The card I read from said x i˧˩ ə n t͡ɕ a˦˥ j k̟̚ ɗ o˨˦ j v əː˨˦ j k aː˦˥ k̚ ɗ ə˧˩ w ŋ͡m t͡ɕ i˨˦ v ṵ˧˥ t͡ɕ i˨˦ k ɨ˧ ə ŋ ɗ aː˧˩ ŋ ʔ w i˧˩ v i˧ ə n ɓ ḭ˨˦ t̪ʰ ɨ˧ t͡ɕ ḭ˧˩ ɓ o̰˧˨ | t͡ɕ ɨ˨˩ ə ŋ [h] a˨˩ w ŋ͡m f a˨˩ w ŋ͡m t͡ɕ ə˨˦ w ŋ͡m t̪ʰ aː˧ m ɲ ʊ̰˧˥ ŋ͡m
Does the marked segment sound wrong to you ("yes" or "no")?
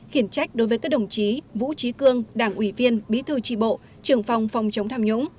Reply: yes